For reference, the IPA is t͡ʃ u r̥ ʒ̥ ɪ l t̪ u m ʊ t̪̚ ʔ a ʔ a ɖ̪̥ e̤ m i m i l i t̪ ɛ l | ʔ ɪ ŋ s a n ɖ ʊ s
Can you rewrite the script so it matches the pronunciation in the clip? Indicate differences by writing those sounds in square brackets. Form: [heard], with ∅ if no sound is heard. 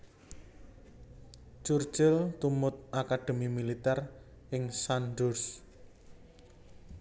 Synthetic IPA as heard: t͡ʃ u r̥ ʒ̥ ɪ l t̪ u m ʊ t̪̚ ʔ a [k] a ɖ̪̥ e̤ m i m i l i t̪ ɛ [r] | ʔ ɪ ŋ s a n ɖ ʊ s